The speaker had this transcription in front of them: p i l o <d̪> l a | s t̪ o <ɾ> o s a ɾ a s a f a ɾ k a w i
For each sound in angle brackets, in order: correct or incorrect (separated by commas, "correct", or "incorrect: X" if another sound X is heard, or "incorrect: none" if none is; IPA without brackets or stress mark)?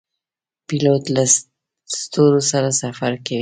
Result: incorrect: t̪, correct